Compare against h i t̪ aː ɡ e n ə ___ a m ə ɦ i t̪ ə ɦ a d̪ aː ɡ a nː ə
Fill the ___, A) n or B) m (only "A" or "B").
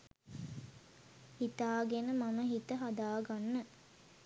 B